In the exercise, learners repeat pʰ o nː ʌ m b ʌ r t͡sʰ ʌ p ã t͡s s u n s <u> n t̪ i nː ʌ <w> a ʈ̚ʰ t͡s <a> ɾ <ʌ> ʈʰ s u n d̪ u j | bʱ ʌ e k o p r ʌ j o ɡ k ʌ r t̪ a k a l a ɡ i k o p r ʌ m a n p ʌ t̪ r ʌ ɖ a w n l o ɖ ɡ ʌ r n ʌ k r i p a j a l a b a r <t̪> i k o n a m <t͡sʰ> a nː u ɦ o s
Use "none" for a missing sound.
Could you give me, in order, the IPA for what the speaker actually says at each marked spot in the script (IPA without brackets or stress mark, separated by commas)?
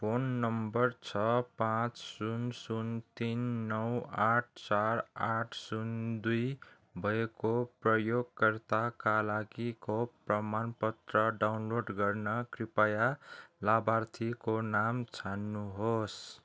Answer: u, w, a, a, t̪ʰ, t͡sʰ